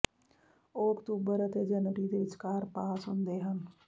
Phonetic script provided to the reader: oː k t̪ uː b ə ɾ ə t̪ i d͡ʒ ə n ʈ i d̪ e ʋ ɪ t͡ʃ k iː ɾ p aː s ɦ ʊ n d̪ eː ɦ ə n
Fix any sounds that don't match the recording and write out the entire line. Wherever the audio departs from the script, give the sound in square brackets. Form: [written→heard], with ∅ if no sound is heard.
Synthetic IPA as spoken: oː k t̪ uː b ə ɾ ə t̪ [i→e] d͡ʒ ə n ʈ i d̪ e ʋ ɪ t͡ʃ k [iː→aː] ɾ p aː s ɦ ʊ n d̪ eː ɦ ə n